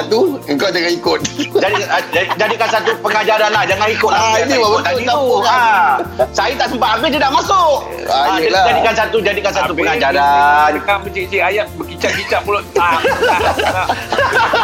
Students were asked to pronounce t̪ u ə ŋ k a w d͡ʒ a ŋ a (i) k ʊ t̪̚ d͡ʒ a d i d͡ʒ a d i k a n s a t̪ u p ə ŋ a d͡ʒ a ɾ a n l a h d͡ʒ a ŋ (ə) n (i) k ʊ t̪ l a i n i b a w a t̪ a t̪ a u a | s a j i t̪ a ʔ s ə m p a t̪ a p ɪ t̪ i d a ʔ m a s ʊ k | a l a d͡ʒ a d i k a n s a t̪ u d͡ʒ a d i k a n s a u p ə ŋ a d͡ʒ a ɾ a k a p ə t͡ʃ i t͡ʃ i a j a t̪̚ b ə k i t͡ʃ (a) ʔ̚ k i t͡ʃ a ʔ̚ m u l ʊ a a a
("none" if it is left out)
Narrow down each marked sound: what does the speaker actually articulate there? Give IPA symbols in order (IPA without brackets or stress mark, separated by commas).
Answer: i, a, i, a